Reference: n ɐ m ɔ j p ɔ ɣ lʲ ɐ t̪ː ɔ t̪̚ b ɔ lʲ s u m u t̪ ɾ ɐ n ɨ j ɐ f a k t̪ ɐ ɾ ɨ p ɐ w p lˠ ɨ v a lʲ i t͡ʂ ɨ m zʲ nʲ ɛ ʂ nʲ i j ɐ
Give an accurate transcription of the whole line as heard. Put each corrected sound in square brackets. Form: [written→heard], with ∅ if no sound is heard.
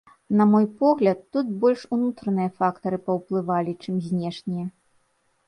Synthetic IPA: n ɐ m ɔ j p ɔ ɣ lʲ ɐ t̪ː [ɔ→u] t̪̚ b ɔ lʲ [s→ʂ] u [m→n] u t̪ ɾ ɐ n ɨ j ɐ f a k t̪ ɐ ɾ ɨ p ɐ w p lˠ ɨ v a lʲ i t͡ʂ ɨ m zʲ nʲ ɛ ʂ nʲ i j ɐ